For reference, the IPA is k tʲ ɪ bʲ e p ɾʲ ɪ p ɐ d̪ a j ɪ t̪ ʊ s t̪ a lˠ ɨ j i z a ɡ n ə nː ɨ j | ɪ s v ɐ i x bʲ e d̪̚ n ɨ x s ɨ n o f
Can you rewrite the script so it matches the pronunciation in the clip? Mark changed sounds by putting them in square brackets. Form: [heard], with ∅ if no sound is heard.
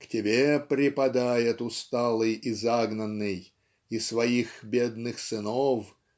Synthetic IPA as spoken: k tʲ ɪ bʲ e p ɾʲ ɪ p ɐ d̪ a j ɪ t̪ ʊ s t̪ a lˠ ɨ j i z a ɡ n ə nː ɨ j | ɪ s v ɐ i x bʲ e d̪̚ n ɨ x s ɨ n o f